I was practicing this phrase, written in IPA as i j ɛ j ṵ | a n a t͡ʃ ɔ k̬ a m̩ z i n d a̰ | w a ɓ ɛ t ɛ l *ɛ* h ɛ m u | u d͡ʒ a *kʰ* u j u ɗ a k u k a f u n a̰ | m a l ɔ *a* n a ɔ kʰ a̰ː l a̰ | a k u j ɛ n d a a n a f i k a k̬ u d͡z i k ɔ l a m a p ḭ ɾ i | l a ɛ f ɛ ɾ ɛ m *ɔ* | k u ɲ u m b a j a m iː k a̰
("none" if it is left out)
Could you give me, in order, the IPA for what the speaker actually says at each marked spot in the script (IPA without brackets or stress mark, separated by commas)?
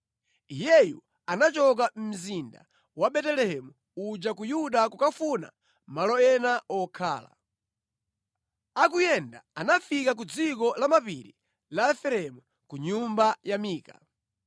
ɛ, k, ɛ, u